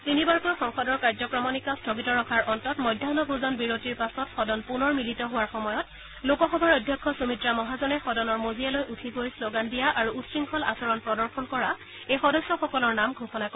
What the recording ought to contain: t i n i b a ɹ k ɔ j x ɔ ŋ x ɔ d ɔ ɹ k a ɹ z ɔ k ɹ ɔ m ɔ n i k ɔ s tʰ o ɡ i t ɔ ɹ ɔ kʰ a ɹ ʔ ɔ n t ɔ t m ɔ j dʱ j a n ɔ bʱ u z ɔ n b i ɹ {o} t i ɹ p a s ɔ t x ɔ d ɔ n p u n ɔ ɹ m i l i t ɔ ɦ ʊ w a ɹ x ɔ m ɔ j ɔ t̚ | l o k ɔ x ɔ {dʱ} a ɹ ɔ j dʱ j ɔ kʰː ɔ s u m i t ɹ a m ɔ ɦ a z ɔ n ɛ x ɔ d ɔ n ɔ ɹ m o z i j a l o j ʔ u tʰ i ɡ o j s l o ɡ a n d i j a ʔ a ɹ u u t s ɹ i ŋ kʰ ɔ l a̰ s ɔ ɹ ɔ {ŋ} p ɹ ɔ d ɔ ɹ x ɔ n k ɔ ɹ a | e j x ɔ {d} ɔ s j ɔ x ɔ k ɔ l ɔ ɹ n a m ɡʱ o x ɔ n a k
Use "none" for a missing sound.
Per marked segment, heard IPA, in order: o, bʱ, n, d

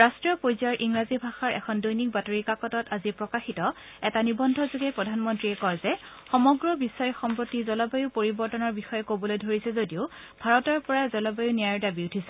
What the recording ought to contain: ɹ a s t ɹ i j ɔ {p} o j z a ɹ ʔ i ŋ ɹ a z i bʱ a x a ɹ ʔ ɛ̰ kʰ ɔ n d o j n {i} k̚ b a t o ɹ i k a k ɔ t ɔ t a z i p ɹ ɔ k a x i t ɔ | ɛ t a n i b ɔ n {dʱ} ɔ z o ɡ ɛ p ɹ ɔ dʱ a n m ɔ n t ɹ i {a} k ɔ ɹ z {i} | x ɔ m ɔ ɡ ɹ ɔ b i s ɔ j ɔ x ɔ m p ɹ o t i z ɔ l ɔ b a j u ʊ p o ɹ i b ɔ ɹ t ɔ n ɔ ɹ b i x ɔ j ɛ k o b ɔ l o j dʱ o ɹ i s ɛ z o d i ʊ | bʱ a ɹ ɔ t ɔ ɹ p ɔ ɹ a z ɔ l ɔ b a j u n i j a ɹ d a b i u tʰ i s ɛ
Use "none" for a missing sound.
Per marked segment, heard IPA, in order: p, i, dʱ, ɛ, ɛ

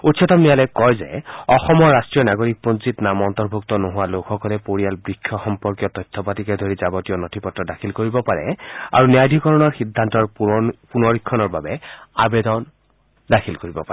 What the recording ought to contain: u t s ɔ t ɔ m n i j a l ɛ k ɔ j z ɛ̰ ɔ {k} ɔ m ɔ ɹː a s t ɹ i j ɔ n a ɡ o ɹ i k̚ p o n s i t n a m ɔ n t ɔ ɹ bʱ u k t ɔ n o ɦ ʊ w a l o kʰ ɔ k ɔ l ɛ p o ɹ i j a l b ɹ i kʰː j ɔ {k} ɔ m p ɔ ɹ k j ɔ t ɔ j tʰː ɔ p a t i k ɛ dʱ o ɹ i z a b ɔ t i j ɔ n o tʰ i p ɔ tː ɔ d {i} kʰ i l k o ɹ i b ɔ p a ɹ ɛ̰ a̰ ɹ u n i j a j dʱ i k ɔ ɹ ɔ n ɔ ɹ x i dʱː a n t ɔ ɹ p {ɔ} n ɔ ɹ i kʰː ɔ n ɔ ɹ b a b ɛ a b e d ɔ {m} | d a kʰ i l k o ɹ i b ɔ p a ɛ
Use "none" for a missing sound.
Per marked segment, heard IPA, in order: x, x, a, u, n

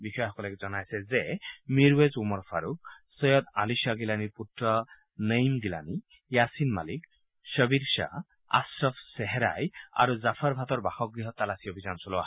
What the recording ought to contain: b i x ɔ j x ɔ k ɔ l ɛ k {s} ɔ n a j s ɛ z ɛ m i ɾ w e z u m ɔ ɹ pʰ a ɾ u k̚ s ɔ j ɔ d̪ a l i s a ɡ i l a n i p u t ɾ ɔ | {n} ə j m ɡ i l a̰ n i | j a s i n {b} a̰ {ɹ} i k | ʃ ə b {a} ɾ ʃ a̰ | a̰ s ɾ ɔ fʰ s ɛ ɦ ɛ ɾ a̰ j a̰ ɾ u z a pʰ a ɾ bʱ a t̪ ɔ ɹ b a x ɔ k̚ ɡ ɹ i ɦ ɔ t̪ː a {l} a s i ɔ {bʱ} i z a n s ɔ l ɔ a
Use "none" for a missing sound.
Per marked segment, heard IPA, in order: z, n, m, l, i, l, bʱ

